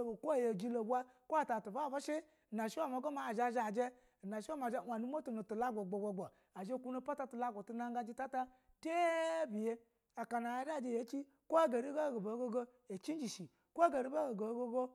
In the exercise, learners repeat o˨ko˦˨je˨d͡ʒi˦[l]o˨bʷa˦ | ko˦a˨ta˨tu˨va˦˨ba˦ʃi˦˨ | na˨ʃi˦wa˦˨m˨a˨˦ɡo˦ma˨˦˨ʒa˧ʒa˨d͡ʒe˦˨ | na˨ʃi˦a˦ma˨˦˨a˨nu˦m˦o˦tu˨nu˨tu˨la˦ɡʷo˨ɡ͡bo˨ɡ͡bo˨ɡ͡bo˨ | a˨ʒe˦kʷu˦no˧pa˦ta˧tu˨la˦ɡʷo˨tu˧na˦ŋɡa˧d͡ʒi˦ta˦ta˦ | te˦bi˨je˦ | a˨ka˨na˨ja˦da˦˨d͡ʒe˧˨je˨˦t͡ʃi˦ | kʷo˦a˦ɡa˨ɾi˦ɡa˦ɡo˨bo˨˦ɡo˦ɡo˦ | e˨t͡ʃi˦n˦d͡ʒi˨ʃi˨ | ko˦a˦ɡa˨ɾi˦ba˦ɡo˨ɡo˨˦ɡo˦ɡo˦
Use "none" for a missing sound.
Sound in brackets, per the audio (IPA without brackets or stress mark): l